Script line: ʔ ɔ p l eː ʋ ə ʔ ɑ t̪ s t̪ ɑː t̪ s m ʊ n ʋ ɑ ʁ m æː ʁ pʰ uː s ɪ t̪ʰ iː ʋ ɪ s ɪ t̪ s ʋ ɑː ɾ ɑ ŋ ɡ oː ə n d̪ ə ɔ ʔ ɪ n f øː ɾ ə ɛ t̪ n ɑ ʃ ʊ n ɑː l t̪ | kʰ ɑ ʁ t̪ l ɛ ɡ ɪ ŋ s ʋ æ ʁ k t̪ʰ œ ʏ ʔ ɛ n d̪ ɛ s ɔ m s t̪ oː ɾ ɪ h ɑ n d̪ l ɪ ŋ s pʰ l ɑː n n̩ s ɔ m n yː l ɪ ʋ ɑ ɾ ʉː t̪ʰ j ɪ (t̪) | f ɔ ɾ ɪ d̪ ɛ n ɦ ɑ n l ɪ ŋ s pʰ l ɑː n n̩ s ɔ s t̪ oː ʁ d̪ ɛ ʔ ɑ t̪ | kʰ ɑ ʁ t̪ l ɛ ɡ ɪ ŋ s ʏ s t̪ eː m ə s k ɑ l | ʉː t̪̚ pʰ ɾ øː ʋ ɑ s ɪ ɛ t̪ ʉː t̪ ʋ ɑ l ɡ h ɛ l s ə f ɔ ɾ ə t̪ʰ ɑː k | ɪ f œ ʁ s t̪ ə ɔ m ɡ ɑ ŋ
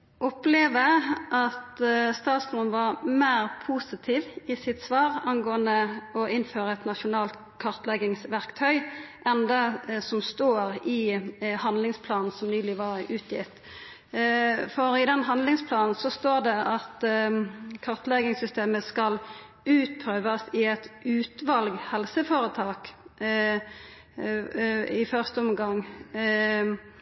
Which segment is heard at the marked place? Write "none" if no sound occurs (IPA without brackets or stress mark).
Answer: t̪